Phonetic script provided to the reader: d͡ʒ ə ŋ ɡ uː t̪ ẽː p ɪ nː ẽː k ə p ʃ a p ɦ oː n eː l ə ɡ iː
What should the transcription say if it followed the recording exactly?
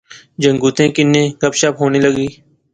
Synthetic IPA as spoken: d͡ʒ ə ŋ ɡ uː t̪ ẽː k ɪ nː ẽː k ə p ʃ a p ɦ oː n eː l ə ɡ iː